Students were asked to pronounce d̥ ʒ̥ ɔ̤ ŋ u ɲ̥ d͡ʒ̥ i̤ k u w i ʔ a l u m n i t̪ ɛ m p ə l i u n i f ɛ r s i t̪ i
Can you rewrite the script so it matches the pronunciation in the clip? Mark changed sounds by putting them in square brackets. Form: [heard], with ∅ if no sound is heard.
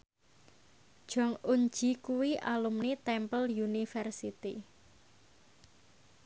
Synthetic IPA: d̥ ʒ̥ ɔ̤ ŋ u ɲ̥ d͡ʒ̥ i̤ k u w i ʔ a l u m n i t̪ ɛ m p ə l [j] u n i f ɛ r s i t̪ i